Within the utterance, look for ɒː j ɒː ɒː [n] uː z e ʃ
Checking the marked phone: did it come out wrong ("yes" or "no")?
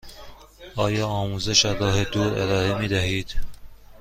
yes